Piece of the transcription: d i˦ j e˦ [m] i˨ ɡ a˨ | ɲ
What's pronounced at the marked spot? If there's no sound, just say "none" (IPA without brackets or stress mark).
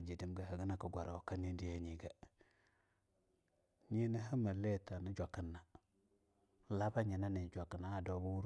ɲ